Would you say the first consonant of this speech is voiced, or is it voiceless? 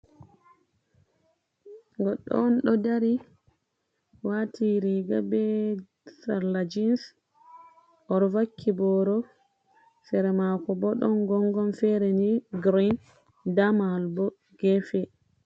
voiced